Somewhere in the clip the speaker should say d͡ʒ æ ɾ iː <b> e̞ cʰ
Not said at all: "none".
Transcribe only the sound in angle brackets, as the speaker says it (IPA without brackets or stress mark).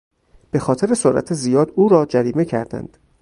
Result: m